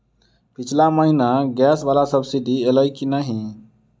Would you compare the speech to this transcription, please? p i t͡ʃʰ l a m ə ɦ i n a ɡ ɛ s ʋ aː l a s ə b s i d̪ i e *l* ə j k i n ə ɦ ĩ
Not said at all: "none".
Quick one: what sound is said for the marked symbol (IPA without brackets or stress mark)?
l